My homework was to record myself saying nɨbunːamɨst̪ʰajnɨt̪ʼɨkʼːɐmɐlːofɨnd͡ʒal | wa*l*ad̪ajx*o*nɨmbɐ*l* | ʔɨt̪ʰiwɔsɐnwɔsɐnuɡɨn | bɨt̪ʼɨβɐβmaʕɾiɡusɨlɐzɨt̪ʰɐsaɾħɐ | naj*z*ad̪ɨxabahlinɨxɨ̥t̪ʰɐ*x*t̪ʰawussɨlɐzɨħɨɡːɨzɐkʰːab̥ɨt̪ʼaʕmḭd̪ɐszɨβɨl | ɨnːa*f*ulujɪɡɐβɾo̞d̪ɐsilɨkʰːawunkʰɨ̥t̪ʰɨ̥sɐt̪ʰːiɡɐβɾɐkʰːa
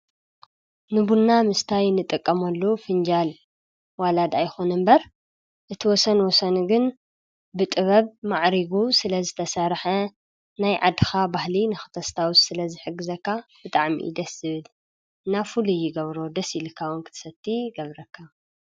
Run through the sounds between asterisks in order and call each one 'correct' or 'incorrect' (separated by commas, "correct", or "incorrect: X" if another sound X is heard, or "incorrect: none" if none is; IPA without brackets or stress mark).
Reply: correct, correct, incorrect: ɾ, incorrect: ʕ, incorrect: s, correct